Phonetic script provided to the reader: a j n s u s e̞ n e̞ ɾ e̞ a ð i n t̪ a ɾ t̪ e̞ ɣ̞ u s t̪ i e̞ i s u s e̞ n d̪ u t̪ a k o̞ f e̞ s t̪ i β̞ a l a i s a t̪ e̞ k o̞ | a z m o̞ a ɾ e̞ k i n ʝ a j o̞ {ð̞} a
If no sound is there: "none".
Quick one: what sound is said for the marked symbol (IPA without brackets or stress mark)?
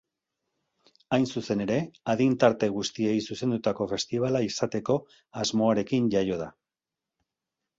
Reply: ð̞